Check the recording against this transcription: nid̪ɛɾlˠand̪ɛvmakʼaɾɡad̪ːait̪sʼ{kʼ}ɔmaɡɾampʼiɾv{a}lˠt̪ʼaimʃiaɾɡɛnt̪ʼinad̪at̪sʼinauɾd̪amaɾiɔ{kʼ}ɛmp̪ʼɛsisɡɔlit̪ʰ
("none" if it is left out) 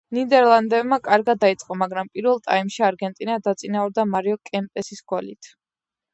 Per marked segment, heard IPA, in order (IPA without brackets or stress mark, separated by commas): qʼ, ɛ, kʼ